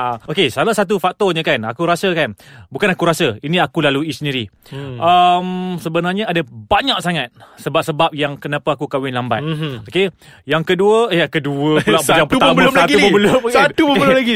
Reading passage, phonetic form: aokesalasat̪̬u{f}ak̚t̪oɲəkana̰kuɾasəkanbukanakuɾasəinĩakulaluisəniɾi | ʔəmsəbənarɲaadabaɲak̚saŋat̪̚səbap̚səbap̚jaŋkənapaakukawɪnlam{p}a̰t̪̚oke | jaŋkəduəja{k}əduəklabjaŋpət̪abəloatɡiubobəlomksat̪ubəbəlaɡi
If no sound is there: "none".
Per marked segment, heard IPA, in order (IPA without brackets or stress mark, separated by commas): f, b, k